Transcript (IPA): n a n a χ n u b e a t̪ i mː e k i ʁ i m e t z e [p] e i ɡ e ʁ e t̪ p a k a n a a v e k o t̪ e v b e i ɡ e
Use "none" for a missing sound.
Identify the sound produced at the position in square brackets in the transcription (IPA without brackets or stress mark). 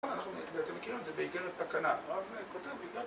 b